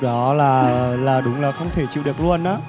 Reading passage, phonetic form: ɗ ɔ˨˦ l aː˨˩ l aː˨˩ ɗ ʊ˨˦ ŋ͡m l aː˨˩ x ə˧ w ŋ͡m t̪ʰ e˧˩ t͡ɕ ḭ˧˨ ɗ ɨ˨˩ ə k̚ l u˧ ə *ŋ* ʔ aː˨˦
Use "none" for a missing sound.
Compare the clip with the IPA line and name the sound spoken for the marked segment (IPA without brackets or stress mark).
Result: n